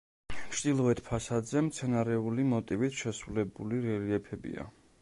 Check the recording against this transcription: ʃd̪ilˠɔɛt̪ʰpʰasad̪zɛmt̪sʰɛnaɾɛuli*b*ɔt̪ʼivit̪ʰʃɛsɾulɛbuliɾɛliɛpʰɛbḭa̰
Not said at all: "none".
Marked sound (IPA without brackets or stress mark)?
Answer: m